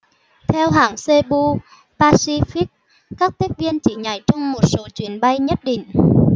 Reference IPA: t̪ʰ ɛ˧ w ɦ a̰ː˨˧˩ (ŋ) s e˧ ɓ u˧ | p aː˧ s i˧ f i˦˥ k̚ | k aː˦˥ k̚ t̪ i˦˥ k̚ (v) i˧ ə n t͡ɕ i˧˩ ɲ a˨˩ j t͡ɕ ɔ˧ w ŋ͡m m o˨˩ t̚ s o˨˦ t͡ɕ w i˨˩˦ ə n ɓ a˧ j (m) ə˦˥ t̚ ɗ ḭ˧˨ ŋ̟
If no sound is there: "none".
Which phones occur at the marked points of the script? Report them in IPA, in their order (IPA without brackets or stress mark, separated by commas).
ŋ, v, ɲ